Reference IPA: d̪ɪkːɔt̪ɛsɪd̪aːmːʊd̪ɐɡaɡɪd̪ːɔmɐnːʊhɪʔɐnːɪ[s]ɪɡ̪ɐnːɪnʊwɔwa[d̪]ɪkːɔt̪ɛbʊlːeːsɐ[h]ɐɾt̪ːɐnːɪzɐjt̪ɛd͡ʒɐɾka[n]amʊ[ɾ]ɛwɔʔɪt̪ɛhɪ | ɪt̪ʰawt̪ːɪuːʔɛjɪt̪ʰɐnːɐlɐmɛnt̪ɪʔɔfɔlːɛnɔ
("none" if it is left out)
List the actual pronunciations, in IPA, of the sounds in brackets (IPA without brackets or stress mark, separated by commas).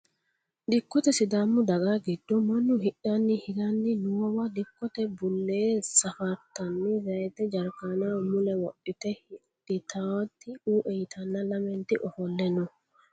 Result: h, d̪, f, n, l